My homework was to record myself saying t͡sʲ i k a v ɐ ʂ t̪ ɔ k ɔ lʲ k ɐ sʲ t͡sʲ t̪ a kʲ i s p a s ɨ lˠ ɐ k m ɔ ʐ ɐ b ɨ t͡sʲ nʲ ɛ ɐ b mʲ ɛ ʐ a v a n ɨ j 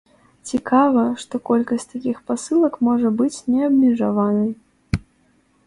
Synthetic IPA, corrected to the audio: t͡sʲ i k a v ɐ ʂ t̪ ɔ k ɔ lʲ k ɐ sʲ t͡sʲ t̪ a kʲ i x p a s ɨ lˠ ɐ k m ɔ ʐ ɐ b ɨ t͡sʲ nʲ ɛ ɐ b mʲ ɛ ʐ a v a n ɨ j